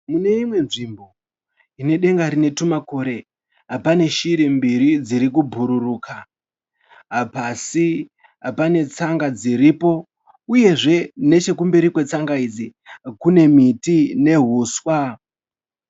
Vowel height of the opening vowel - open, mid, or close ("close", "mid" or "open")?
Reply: close